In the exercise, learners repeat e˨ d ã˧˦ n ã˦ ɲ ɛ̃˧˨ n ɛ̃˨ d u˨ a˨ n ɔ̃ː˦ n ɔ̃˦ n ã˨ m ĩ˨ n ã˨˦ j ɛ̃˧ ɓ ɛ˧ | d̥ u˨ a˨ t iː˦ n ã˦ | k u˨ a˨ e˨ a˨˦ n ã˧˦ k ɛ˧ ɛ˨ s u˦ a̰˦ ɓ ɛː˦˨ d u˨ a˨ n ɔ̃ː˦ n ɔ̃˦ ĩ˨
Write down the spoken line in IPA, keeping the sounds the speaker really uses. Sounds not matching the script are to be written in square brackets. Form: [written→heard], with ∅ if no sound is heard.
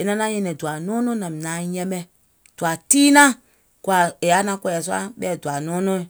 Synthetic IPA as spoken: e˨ [d→n] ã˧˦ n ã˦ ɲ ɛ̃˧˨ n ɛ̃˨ d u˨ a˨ n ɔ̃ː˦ n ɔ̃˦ n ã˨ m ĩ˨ n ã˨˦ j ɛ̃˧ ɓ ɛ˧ | d̥ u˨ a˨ t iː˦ n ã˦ | k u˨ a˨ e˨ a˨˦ n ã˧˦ k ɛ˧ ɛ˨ s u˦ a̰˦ ɓ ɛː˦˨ d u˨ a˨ n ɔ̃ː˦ n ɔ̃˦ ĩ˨

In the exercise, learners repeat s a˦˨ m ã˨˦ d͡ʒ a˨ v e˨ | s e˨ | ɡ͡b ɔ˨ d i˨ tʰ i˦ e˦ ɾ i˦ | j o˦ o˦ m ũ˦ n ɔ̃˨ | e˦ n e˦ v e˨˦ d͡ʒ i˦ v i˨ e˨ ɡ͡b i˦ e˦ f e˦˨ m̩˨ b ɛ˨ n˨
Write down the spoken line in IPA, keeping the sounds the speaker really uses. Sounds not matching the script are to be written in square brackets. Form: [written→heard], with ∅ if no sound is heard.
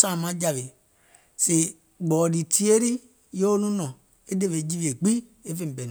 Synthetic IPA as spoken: s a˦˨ m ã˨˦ d͡ʒ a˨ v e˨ | s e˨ | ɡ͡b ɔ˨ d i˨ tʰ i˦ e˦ ɾ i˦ | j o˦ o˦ [m→n] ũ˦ n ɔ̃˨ | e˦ [n→d] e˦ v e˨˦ d͡ʒ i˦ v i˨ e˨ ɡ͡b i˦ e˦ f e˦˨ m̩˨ b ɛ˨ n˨

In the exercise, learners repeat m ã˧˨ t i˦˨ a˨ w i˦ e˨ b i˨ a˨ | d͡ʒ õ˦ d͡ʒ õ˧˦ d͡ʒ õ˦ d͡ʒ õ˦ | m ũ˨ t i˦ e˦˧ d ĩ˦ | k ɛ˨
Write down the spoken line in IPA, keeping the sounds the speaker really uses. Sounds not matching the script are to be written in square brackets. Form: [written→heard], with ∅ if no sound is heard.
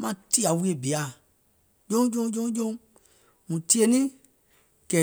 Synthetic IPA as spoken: m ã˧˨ t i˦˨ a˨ w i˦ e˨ b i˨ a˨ | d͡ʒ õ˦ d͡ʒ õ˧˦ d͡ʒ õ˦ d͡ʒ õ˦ | m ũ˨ t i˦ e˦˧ [d→n] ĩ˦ | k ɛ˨

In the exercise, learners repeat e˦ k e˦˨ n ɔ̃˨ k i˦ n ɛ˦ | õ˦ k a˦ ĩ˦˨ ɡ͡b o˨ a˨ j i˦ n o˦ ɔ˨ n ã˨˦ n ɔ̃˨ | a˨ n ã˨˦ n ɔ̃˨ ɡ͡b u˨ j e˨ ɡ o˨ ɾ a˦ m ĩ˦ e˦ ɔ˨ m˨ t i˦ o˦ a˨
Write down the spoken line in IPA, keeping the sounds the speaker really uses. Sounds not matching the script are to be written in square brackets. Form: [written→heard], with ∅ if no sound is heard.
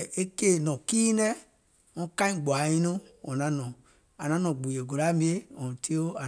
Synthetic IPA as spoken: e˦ k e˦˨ n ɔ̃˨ k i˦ n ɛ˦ | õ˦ k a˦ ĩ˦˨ ɡ͡b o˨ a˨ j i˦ n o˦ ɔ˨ n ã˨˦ n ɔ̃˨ | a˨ n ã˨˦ n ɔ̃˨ ɡ͡b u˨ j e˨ ɡ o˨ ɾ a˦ m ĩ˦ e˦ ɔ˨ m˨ t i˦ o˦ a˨

